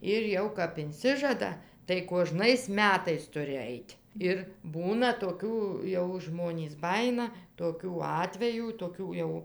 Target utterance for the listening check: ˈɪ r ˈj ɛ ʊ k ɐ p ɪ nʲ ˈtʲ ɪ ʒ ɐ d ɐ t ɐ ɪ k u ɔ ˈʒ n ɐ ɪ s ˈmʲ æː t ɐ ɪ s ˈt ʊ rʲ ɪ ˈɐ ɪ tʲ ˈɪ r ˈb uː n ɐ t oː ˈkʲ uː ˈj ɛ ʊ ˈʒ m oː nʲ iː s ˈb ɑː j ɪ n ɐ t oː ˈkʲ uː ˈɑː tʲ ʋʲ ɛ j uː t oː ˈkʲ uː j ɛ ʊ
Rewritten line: ˈɪ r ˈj ɛ ʊ k ɐ p ɪ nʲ ˈsʲ ɪ ʒ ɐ d ɐ t ɐ ɪ k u ɔ ˈʒ n ɐ ɪ s ˈmʲ æː t ɐ ɪ s ˈt ʊ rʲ ɪ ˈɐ ɪ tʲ ˈɪ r ˈb uː n ɐ t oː ˈkʲ uː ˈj ɛ ʊ ˈʒ m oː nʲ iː s ˈb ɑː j ɪ n ɐ t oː ˈkʲ uː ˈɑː tʲ ʋʲ ɛ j uː t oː ˈkʲ uː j ɛ ʊ